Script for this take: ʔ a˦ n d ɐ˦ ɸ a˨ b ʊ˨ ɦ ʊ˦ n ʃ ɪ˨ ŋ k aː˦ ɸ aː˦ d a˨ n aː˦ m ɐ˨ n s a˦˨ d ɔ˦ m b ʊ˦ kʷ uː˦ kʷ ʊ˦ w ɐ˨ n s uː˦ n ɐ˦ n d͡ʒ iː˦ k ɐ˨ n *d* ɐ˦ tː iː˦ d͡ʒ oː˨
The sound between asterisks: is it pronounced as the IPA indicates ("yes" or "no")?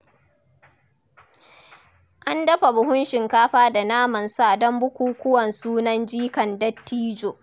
yes